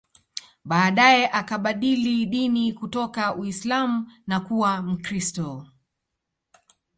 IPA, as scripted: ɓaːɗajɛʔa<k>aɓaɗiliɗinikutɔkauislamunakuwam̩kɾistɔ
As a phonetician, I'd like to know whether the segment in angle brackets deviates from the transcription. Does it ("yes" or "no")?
no